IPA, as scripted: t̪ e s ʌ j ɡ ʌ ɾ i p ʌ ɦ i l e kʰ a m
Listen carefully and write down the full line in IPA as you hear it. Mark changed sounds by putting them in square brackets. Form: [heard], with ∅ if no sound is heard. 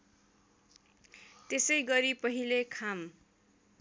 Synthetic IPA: t̪ e s ʌ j ɡ ʌ ɾ i p ʌ ɦ i l e kʰ a m